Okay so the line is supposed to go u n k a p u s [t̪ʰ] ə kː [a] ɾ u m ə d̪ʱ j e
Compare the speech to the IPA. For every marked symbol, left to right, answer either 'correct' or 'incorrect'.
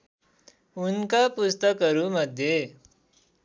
incorrect: t̪, incorrect: ə

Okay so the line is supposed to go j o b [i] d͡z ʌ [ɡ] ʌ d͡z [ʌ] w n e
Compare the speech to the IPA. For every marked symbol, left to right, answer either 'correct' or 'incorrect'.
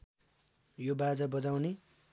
incorrect: a, incorrect: b, incorrect: a

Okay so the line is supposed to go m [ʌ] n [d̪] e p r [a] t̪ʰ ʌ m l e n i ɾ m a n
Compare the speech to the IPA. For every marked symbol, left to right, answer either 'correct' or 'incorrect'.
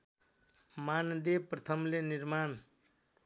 incorrect: a, correct, incorrect: ʌ

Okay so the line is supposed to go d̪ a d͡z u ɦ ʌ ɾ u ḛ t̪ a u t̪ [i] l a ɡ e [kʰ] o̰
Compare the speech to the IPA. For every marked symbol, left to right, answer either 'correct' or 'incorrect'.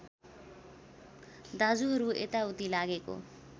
correct, incorrect: k

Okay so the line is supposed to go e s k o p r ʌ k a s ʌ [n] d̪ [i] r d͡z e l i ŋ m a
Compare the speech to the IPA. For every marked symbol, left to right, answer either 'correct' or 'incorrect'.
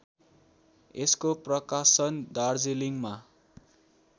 correct, incorrect: a

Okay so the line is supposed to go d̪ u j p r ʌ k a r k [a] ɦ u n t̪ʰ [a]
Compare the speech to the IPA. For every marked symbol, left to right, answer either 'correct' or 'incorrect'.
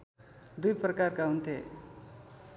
correct, incorrect: e

